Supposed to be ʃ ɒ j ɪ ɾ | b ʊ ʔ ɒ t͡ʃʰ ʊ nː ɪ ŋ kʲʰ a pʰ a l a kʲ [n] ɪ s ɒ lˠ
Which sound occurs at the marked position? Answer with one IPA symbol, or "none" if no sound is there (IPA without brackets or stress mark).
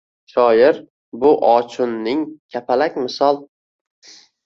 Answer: m